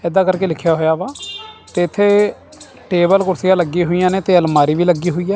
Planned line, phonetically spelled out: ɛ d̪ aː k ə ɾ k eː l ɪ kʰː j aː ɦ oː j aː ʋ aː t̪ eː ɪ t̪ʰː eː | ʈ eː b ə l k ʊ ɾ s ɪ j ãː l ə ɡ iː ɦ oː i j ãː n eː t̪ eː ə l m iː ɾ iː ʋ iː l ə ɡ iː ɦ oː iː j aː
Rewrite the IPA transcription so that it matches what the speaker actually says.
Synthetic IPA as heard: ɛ d̪ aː k ə ɾ k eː l ɪ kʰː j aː ɦ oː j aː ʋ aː t̪ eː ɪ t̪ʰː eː | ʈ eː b ə l k ʊ ɾ s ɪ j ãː l ə ɡ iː ɦ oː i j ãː n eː t̪ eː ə l m aː ɾ iː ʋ iː l ə ɡ iː ɦ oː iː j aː

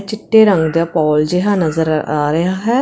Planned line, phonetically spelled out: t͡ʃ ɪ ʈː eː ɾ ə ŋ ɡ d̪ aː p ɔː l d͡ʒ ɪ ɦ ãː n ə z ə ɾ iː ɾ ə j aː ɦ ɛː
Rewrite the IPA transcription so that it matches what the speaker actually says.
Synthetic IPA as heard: t͡ʃ ɪ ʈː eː ɾ ə ŋ ɡ d̪ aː p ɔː l d͡ʒ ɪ ɦ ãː n ə z ə ɾ aː ɾ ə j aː ɦ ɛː

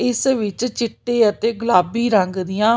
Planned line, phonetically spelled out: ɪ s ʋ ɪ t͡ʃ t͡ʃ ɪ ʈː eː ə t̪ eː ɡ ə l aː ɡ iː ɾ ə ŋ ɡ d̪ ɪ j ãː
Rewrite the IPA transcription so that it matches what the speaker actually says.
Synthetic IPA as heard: ɪ s ʋ ɪ t͡ʃ t͡ʃ ɪ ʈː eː ə t̪ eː ɡ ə l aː b iː ɾ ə ŋ ɡ d̪ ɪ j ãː

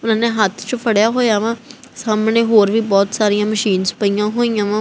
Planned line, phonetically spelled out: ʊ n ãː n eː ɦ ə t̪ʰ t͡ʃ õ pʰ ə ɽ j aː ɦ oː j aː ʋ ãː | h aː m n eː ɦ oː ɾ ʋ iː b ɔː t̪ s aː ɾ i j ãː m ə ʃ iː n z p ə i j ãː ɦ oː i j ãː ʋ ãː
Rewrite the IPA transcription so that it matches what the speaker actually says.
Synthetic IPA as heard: ʊ n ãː n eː ɦ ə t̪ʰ t͡ʃ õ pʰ ə ɽ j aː ɦ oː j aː ʋ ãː | s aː m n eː ɦ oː ɾ ʋ iː b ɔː t̪ s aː ɾ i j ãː m ə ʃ iː n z p ə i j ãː ɦ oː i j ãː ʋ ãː

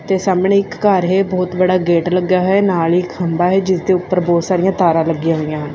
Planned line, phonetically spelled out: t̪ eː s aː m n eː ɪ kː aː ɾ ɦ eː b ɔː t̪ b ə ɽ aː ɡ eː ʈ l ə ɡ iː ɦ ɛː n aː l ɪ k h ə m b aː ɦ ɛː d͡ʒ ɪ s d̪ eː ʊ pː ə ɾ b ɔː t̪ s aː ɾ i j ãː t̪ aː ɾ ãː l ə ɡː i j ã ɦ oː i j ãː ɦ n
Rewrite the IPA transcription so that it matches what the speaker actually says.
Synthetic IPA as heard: t̪ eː s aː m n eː ɪ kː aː ɾ ɦ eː b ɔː t̪ b ə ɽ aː ɡ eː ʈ l ə ɡ aː ɦ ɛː n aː l ɪ k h ə m b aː ɦ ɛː d͡ʒ ɪ s d̪ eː ʊ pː ə ɾ b ɔː t̪ s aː ɾ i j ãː t̪ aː ɾ ãː l ə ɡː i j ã ɦ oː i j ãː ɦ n

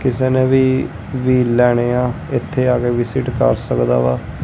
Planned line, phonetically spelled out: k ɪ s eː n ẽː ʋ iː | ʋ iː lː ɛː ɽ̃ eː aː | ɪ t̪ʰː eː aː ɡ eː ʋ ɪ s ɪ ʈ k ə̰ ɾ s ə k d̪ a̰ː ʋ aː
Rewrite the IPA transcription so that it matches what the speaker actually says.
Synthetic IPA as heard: k ɪ s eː n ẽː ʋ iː | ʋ iː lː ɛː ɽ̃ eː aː | ɪ t̪ʰː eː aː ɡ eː ʋ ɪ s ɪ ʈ k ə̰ ɾ s ə k d̪ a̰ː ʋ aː

